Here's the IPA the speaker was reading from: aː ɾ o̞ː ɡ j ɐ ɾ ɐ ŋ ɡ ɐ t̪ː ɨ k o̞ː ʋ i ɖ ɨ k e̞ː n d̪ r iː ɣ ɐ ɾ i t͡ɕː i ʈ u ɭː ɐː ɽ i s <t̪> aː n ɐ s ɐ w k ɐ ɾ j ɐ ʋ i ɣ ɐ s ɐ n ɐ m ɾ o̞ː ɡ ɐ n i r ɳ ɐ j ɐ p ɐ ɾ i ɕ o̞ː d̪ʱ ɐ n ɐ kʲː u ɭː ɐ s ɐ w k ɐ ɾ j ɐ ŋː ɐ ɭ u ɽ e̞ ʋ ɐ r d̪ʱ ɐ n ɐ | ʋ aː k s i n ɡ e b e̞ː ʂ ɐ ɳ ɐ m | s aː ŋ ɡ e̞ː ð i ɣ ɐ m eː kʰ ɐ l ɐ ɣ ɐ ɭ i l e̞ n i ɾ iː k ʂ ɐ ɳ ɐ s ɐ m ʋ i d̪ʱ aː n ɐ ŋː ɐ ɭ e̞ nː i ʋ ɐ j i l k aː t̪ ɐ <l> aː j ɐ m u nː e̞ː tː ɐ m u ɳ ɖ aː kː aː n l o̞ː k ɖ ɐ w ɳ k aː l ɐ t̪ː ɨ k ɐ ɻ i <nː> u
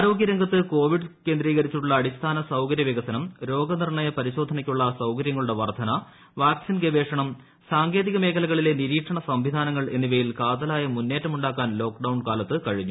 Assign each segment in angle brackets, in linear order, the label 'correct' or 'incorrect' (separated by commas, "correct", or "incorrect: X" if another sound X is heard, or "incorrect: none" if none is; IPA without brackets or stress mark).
incorrect: t̪ʰ, correct, incorrect: ɲː